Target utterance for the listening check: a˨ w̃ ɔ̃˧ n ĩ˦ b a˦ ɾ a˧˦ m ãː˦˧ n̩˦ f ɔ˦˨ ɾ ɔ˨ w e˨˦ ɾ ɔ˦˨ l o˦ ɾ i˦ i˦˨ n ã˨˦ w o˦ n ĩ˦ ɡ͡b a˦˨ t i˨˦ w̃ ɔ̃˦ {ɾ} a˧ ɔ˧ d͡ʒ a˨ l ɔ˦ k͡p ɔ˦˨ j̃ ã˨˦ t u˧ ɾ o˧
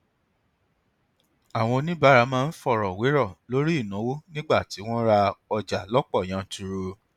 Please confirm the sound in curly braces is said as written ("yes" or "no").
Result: yes